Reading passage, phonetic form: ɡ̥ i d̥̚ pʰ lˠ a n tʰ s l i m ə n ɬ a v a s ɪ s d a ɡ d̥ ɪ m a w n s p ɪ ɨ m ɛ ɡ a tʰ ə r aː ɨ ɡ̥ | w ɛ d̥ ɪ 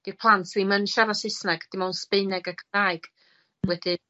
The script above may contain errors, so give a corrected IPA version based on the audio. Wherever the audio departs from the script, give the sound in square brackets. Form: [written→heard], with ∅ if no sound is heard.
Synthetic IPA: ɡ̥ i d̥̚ pʰ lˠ a n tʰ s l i m ə n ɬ a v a s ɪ s [d→n] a ɡ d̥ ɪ m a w n s p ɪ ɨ [m→n] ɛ ɡ a [tʰ→kʰ] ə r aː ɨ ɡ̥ | w ɛ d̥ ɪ

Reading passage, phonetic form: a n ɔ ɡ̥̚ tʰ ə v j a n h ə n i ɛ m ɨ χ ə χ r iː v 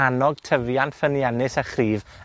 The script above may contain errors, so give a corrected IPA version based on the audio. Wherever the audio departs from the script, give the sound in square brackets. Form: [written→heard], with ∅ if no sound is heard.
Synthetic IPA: a n ɔ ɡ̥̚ tʰ ə v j a n [h→f] ə n [i→j] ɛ [m→n] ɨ [χ→s] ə χ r iː v

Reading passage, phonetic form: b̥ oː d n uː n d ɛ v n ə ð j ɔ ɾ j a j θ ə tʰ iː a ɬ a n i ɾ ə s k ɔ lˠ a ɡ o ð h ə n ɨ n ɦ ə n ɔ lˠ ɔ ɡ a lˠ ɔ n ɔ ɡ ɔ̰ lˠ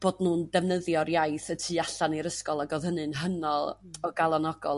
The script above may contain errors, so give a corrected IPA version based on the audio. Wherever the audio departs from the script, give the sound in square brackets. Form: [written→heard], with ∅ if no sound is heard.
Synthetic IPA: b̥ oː d n uː n d ɛ v n ə ð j ɔ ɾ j a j θ ə tʰ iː a ɬ a n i ɾ ə s k ɔ lˠ a ɡ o ð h ə n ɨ n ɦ ə n ɔ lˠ ɔ ɡ a lˠ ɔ n ɔ ɡ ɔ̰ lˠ

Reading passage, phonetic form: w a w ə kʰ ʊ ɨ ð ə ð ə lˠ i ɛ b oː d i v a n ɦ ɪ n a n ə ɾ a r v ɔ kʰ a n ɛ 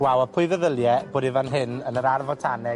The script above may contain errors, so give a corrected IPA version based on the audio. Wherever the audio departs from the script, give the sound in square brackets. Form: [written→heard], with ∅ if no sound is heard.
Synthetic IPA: w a w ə [kʰ→pʰ] ʊ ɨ ð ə ð ə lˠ [i→j] ɛ b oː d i v a n ɦ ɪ n [a→ə] n ə ɾ a r v ɔ [kʰ→tʰ] a n ɛ

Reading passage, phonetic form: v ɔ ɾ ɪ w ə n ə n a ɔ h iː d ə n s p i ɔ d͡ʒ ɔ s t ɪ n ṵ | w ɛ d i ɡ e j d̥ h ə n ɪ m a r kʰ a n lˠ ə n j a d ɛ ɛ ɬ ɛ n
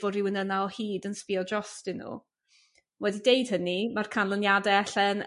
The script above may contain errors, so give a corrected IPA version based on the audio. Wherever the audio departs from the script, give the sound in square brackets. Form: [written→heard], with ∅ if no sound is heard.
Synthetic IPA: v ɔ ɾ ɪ w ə n ə n a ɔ h iː d ə n s p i ɔ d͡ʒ ɔ s t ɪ n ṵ | w ɛ d i [ɡ→d] e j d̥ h ə n [ɪ→i] m a r kʰ a n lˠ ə n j a d ɛ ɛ ɬ ɛ n

